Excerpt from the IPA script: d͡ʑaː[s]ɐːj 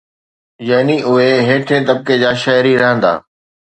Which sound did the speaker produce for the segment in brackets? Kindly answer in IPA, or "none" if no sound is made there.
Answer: ʃ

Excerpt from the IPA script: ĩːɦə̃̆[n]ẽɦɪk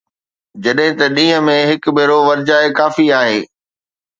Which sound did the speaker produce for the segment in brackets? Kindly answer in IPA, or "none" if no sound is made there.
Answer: m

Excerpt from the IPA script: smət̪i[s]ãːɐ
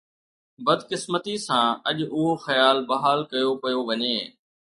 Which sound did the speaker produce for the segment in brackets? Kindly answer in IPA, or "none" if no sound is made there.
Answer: s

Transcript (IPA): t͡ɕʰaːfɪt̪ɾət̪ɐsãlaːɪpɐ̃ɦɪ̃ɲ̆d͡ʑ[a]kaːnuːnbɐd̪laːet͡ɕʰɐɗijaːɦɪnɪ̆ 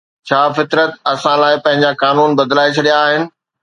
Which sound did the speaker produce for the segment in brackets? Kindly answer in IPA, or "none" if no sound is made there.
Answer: a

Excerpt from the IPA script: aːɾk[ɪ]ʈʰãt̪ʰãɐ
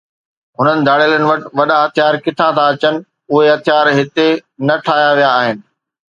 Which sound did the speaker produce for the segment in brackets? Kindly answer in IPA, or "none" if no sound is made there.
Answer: ɪ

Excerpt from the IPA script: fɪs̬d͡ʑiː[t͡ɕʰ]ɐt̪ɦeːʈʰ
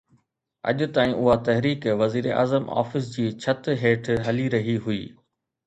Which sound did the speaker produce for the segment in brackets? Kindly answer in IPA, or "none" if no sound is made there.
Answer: t͡ɕʰ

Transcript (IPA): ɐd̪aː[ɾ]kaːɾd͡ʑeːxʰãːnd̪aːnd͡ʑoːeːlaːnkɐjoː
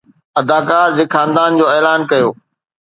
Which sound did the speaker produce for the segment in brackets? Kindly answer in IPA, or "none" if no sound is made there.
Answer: none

